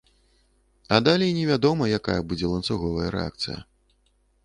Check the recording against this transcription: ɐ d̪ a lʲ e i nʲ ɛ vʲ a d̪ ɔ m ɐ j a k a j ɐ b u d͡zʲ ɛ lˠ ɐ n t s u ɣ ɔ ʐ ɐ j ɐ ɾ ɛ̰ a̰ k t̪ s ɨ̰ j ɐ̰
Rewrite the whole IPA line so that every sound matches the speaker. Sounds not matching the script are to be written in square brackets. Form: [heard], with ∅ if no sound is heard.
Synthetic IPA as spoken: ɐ d̪ a lʲ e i nʲ ɛ vʲ a d̪ ɔ m ɐ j a k a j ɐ b u d͡zʲ ɛ lˠ ɐ n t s u ɣ ɔ [v] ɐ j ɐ ɾ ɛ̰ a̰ k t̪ s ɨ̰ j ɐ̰